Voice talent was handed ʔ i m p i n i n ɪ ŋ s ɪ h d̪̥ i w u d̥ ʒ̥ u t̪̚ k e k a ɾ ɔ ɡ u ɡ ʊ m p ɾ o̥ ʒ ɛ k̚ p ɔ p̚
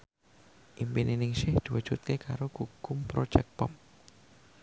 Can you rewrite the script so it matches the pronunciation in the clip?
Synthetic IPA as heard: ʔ i m p i n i n ɪ ŋ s ɪ h d̪̥ i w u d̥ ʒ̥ u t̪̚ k e k a ɾ o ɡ u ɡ ʊ m p ɾ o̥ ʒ ɛ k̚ p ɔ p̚